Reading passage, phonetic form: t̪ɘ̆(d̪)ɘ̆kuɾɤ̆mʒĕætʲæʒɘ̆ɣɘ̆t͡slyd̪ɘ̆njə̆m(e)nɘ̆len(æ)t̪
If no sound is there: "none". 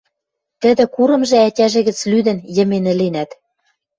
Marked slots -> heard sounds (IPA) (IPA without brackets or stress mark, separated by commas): d̪, e, æ